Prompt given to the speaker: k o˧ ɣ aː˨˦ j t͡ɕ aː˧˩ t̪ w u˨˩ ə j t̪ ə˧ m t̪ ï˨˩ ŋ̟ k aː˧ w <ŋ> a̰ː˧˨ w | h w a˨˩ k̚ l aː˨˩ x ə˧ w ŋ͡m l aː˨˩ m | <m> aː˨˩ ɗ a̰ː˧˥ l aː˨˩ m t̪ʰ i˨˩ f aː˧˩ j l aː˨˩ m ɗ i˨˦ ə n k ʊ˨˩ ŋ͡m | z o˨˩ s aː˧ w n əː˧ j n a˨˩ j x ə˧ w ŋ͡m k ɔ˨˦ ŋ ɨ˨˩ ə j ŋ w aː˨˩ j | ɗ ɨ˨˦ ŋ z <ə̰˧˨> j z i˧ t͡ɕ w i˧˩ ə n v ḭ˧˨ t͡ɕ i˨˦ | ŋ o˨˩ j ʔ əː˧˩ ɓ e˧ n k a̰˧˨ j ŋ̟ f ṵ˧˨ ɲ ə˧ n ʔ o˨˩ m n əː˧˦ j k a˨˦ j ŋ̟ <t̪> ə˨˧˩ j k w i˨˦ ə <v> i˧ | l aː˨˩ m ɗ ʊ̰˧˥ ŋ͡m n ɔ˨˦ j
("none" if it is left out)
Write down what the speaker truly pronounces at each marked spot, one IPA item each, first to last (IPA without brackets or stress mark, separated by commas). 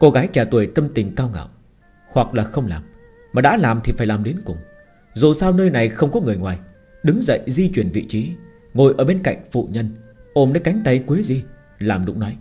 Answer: ŋ, m, ə̰˧˨, t̪, z